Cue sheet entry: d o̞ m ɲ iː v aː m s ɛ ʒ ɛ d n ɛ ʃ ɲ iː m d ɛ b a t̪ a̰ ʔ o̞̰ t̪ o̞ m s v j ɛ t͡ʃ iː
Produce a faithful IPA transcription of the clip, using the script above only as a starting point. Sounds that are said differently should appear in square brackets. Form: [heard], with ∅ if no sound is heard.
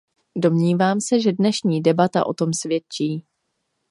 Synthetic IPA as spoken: d o̞ m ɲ iː v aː m s ɛ ʒ ɛ d n ɛ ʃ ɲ iː [∅] d ɛ b a t̪ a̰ ʔ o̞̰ t̪ o̞ m s v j ɛ t͡ʃ iː